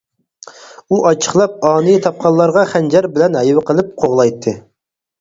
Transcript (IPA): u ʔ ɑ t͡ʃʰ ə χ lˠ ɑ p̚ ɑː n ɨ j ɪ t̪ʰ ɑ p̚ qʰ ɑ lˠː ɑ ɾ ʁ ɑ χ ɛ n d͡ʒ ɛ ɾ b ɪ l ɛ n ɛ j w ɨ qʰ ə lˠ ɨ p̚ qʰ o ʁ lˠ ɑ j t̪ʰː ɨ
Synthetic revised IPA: u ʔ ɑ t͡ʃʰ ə χ lˠ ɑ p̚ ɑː n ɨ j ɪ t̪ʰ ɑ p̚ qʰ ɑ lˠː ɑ ɾ ʁ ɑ χ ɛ n d͡ʒ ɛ ɾ b ɪ l ɛ n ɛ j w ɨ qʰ ə lˠ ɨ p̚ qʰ o ʁ lˠ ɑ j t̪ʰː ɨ